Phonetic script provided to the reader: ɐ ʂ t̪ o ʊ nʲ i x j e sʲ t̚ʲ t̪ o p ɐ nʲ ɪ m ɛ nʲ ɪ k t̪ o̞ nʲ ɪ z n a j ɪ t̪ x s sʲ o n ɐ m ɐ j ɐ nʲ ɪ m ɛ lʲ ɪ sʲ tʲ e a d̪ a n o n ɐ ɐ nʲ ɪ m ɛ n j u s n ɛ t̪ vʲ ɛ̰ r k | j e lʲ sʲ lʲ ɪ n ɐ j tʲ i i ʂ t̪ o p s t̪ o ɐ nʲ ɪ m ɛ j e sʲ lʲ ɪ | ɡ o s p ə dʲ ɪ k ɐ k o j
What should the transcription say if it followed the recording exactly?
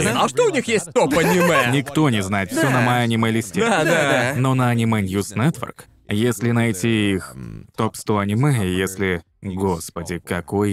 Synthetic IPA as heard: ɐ ʂ t̪ o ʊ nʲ i x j e sʲ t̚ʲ t̪ o p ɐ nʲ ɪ m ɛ nʲ ɪ k t̪ o̞ nʲ ɪ z n a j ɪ t̪ f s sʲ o n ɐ m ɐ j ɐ nʲ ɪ m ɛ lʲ ɪ sʲ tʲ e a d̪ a n o n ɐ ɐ nʲ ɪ m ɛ n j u s n ɛ t̪ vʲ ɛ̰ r k | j e sʲ lʲ ɪ n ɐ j tʲ i i x t̪ o p s t̪ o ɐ nʲ ɪ m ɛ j e sʲ lʲ ɪ | ɡ o s p ə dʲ ɪ k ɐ k o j